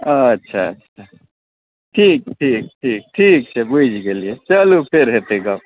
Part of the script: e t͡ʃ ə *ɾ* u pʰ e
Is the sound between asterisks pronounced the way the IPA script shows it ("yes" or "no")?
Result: no